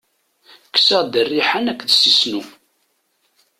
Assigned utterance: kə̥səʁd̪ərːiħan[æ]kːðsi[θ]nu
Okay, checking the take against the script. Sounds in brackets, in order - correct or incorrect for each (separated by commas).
correct, incorrect